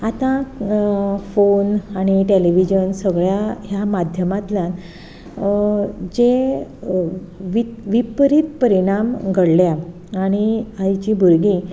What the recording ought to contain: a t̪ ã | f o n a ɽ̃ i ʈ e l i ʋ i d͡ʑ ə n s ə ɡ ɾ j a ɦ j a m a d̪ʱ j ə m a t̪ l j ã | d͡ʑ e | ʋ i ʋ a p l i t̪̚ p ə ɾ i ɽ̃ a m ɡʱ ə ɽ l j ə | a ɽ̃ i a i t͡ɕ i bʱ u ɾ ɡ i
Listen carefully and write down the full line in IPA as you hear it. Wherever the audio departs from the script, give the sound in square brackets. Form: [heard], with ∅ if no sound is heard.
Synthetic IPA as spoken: a t̪ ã | f o n a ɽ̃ i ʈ e l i ʋ i d͡ʑ ə n s ə ɡ [ɭ] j a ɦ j a m a d̪ʱ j ə m a t̪ l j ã | d͡ʑ e | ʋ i ʋ [i] p [ɾ] i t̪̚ p ə ɾ i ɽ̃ a m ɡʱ ə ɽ l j [a] | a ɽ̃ i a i t͡ɕ i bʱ u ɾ ɡ i